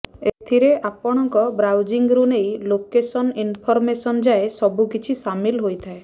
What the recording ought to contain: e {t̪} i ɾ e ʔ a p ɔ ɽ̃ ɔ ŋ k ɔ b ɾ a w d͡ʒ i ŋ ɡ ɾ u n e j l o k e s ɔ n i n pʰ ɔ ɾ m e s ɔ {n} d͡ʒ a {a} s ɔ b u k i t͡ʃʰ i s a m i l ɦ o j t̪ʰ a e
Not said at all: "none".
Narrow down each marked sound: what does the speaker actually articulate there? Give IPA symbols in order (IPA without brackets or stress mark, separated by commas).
t̪ʰ, n, e